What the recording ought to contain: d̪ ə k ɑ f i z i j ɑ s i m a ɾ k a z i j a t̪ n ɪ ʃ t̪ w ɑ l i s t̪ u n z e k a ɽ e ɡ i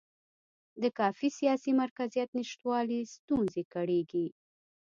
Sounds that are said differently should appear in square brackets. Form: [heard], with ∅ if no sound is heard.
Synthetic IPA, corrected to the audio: d̪ ə k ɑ f i [s] i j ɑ s i m a ɾ k a z i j a t̪ n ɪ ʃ t̪ w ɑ l i s t̪ u n z e k a ɽ e ɡ i